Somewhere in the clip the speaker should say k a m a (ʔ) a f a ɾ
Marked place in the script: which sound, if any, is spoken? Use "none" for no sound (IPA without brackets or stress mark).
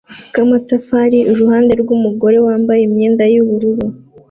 t